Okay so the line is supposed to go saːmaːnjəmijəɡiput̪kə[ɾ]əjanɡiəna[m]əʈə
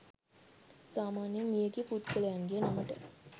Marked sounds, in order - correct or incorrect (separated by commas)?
incorrect, correct